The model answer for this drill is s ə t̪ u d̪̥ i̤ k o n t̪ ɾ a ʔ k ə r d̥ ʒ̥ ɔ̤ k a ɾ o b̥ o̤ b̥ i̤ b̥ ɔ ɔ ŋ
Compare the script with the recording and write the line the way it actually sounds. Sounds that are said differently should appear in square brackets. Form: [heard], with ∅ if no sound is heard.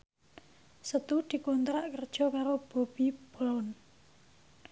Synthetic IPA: s ə t̪ u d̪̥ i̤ k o n t̪ ɾ a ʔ k ə r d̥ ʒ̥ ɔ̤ k a ɾ o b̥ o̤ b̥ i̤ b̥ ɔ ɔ [n]